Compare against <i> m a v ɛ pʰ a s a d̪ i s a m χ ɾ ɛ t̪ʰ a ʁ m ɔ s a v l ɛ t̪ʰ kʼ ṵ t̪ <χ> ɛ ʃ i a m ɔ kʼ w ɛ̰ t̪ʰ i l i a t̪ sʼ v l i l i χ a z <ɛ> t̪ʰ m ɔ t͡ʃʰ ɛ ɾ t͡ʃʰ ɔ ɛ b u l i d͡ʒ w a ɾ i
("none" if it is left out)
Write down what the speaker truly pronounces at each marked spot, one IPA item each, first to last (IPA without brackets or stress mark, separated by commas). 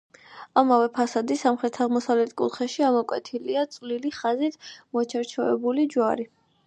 a, χ, i